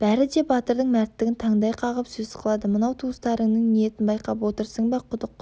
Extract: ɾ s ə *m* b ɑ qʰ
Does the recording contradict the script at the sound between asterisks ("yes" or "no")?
yes